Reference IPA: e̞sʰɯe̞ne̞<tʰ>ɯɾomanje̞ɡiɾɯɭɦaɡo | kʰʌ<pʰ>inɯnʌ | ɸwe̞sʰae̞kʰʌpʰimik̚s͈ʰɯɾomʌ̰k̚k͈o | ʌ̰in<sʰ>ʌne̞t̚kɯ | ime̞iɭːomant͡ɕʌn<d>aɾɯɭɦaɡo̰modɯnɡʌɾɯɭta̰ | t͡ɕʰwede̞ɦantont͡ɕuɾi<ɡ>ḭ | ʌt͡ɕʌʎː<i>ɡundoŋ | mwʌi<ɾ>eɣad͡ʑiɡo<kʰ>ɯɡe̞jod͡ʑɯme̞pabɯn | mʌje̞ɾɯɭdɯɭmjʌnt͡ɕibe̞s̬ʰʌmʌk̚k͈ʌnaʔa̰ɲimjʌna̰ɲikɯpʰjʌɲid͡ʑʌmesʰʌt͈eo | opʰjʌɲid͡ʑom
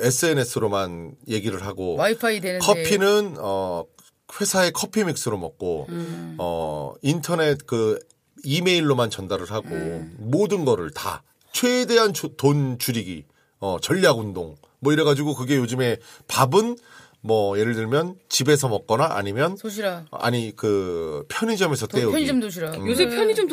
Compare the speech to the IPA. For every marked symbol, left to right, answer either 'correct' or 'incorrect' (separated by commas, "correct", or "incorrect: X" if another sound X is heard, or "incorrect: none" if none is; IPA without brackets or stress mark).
incorrect: sʰ, correct, incorrect: tʰ, correct, correct, incorrect: a, correct, incorrect: k